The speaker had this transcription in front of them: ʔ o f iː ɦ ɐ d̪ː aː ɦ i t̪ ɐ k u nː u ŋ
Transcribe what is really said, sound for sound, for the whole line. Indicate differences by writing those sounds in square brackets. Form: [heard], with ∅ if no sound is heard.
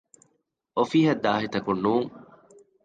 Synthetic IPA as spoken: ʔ o f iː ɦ ɐ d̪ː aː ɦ i t̪ ɐ k u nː [uː] ŋ

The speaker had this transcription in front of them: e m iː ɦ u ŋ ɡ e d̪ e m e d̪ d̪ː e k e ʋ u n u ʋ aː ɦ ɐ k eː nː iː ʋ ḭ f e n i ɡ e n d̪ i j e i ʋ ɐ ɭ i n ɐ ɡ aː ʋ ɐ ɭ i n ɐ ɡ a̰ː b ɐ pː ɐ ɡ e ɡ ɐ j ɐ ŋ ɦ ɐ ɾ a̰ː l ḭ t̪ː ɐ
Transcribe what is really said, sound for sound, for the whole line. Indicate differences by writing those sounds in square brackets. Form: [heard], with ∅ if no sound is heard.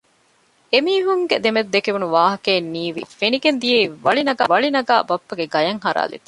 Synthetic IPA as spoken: e m iː ɦ u ŋ ɡ e d̪ e m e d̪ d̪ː e k e ʋ u n u ʋ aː ɦ ɐ k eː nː iː ʋ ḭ f e n i ɡ e n d̪ i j e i ʋ ɐ ɭ i n ɐ ɡ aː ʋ ɐ ɭ i n ɐ ɡ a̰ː b ɐ pː ɐ ɡ e ɡ ɐ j ɐ ŋ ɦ ɐ ɾ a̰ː l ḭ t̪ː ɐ

